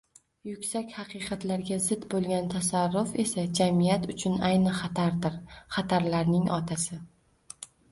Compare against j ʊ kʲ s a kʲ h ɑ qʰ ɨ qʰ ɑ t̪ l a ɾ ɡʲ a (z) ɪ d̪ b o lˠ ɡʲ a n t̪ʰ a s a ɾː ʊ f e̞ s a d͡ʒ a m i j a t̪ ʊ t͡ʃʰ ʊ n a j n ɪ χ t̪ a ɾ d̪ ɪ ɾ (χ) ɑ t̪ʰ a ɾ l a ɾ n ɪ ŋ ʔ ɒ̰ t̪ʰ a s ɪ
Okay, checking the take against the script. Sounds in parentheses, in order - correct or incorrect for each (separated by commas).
correct, correct